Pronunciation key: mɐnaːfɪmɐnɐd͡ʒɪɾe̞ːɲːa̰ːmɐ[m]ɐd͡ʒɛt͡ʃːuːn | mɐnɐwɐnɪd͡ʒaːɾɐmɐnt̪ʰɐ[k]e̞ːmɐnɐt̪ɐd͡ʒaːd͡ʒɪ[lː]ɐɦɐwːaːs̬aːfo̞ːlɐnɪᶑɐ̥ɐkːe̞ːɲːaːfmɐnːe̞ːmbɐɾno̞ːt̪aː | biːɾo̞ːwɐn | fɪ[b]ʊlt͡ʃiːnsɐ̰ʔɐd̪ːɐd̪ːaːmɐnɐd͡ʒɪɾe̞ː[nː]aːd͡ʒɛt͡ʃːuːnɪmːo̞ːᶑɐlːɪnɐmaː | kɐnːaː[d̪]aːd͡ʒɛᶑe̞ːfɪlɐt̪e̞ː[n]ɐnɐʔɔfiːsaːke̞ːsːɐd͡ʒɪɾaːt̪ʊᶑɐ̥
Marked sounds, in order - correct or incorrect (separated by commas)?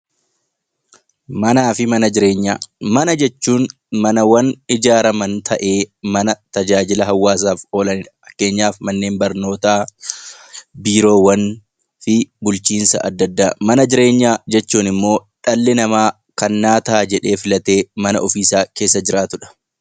incorrect, incorrect, incorrect, correct, incorrect, incorrect, incorrect